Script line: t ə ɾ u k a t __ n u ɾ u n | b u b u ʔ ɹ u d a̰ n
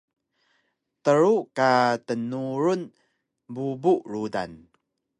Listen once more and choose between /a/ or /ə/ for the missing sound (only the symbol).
ə